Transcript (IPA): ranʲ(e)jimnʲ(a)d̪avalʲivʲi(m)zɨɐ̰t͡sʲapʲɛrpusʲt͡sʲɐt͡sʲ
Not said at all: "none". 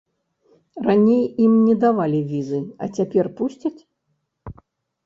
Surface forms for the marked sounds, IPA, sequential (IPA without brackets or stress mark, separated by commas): e, ɛ, none